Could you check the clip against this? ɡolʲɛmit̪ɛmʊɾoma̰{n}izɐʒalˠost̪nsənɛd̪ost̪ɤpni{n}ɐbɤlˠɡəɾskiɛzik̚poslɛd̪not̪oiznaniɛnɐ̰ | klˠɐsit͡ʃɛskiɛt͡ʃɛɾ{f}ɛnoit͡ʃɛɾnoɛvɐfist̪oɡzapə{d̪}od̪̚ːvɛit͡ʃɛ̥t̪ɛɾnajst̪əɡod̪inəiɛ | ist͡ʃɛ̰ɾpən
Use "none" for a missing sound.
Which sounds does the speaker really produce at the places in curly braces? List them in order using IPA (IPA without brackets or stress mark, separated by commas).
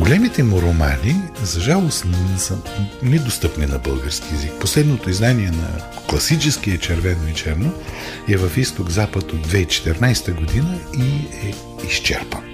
n, n, v, t̪